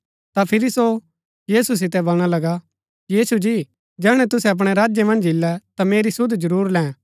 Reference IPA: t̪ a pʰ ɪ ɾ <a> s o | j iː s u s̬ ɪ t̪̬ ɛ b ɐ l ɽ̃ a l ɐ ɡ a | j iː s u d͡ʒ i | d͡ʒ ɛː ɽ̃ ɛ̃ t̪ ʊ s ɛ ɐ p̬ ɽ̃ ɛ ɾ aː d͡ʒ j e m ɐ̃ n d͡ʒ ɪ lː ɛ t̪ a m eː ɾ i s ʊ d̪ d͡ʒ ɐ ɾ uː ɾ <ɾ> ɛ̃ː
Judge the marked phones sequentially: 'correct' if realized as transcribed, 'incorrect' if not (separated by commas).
incorrect, incorrect